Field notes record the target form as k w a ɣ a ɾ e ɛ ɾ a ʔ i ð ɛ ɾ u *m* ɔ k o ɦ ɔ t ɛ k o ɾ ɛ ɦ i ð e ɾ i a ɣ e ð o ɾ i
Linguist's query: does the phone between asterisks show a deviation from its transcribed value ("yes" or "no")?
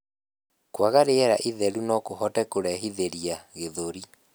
yes